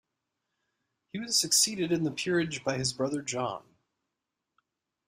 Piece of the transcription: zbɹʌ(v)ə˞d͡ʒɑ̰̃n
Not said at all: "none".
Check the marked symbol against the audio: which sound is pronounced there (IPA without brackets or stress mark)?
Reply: ð